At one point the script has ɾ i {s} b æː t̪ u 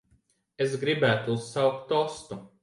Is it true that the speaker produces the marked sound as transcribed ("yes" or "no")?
no